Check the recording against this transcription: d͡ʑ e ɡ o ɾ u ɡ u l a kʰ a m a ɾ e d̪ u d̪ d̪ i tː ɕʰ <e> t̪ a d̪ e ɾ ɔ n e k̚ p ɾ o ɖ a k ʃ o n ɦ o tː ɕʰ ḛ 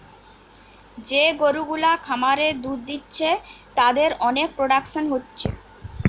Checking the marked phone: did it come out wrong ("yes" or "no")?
no